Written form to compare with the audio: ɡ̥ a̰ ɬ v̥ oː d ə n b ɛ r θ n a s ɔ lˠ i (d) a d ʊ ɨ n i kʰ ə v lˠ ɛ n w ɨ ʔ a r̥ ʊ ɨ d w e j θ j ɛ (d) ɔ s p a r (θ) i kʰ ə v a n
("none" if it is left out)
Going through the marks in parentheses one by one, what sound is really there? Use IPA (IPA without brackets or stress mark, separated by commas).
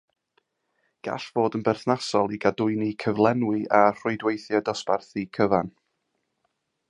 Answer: ɡ, d, θ